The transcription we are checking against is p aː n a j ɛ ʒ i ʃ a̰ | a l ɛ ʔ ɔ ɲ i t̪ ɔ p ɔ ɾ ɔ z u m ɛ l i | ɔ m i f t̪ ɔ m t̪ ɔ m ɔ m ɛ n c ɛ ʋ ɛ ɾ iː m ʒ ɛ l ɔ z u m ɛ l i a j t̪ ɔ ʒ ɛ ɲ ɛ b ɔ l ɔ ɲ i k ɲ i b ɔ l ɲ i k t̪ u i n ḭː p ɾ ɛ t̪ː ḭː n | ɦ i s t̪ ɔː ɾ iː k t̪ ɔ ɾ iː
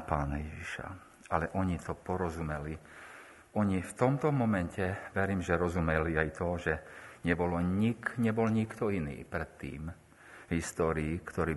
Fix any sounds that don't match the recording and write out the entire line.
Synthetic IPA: p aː n a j ɛ ʒ i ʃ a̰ | a l ɛ ʔ ɔ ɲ i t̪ ɔ p ɔ ɾ ɔ z u m ɛ l i | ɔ ɲ i f t̪ ɔ m t̪ ɔ m ɔ m ɛ n c ɛ ʋ ɛ ɾ iː m ʒ ɛ ɾ ɔ z u m ɛ l i a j t̪ ɔ ʒ ɛ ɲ ɛ b ɔ l ɔ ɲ i k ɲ ɛ b ɔ l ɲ i k t̪ ɔ i n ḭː p ɾ ɛ t̪ː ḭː m | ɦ i s t̪ ɔː ɾ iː k t̪ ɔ ɾ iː